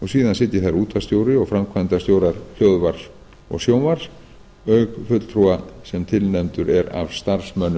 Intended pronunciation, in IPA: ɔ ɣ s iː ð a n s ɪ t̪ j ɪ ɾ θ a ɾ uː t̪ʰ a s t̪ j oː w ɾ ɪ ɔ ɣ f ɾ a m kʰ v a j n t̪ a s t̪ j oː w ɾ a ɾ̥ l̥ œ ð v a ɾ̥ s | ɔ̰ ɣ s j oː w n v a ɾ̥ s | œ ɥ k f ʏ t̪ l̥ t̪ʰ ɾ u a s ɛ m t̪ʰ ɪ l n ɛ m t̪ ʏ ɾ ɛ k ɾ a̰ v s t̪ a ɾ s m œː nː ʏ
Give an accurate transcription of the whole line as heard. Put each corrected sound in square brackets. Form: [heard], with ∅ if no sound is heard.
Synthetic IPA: ɔ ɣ s iː ð a n s ɪ t̪ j ɪ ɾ θ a ɾ uː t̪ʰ a s t̪ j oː w ɾ ɪ ɔ ɣ f ɾ a m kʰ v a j n t̪ a s t̪ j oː w ɾ a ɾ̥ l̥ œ ð v a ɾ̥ s | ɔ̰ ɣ s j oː w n v a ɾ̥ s | œ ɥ k f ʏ t̪ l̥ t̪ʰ ɾ u a s ɛ m t̪ʰ ɪ l n ɛ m t̪ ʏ ɾ ɛ [∅] ɾ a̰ v s t̪ a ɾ s m [œ] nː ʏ